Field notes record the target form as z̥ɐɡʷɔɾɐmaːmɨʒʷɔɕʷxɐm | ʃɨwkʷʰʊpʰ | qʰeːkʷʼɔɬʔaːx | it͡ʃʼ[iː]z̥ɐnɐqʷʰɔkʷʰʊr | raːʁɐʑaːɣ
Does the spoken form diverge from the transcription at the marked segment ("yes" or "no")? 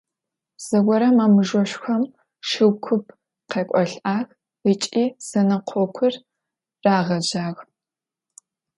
no